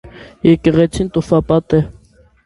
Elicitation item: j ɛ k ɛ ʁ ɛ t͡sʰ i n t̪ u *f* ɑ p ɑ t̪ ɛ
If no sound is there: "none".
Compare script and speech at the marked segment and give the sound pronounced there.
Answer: f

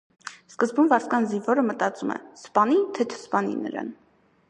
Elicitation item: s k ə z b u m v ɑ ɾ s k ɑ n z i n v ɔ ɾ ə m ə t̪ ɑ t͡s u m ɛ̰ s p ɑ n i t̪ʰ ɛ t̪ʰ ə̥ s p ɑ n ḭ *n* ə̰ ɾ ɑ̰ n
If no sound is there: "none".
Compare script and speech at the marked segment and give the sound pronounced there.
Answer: n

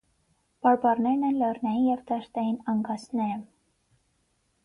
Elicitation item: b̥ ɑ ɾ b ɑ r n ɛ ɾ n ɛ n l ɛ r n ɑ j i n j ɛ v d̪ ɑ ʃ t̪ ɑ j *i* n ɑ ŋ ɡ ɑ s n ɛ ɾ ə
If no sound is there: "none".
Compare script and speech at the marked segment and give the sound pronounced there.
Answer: i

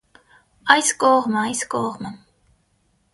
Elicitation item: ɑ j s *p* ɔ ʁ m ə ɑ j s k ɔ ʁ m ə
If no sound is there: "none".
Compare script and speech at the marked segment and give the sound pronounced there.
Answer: k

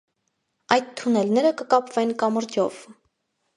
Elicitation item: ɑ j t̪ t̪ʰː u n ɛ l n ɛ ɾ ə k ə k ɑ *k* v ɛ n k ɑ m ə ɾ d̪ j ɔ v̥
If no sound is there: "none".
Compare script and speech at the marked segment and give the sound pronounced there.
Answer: p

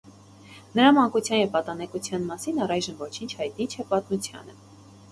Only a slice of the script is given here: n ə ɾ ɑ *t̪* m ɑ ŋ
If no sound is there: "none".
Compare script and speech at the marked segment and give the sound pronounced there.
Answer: none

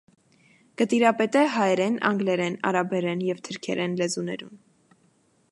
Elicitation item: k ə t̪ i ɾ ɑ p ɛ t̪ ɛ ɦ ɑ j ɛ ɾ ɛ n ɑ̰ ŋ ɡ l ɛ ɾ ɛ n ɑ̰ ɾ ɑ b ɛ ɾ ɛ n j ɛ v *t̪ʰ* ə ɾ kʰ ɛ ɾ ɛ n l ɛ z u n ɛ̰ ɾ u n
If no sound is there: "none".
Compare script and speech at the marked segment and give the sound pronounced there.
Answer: t̪ʰ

